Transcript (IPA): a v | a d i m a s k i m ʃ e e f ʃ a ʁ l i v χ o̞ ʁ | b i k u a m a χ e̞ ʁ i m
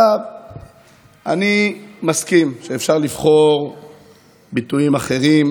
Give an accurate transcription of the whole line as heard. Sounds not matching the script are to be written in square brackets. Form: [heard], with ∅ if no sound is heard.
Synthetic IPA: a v | a [n] i m a s k i m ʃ e e f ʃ a ʁ l i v χ o̞ ʁ | b i [t] u [i] m a χ e̞ ʁ i m